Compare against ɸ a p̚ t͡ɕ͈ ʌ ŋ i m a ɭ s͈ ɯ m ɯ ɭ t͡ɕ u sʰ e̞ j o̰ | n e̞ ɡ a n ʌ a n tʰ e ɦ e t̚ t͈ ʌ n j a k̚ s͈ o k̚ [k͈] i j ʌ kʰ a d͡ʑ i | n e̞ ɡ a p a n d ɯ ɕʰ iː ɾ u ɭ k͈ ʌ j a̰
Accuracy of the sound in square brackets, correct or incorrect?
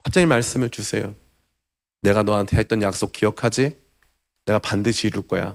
correct